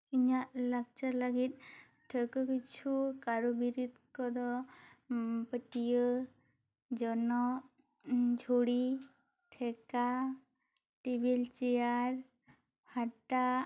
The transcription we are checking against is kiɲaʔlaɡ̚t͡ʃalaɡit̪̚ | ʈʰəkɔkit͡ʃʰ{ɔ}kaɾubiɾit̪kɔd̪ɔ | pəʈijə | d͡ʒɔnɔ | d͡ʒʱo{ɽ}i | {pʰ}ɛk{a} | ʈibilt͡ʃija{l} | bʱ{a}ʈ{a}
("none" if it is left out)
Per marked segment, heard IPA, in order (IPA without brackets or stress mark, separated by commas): u, ɽ, ʈʰ, a, ɾ, a, a